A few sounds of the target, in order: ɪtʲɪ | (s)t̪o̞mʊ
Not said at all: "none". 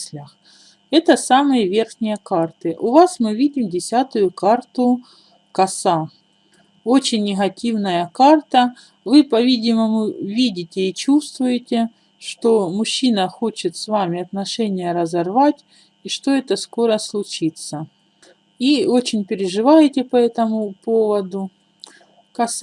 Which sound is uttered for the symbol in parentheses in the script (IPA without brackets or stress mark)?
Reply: ʂ